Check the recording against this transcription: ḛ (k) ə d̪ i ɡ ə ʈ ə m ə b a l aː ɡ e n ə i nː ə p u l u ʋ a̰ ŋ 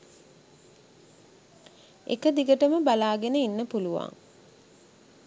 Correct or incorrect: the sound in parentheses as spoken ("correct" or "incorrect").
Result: correct